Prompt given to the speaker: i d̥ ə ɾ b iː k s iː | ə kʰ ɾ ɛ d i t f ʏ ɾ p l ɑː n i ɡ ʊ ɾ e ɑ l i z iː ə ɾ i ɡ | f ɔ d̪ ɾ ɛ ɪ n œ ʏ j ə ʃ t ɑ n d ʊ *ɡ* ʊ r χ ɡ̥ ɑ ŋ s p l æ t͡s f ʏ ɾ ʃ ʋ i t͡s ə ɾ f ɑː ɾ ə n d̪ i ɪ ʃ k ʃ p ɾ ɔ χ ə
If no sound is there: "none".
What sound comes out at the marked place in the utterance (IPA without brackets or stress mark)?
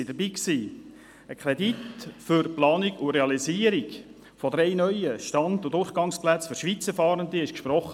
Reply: d